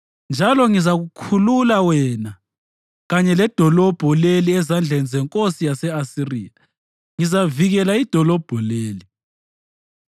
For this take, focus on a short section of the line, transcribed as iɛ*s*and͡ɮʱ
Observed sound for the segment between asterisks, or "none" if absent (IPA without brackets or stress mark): z